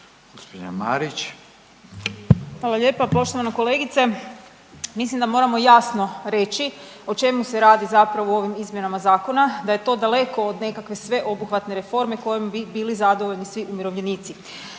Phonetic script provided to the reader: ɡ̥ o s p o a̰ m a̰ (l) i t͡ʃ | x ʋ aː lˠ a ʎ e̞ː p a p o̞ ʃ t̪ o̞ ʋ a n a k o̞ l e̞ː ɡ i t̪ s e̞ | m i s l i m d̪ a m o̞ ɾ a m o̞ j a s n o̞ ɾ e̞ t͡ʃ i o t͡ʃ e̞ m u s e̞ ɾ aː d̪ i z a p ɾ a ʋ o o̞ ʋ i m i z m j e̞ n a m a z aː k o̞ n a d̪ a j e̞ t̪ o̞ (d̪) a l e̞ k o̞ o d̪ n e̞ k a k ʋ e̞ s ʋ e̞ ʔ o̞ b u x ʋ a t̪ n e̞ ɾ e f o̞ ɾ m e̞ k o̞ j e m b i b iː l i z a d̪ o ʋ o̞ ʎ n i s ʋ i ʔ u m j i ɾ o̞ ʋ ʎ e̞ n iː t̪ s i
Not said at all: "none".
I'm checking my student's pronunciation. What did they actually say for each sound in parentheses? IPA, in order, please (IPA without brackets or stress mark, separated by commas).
ɾ, d̪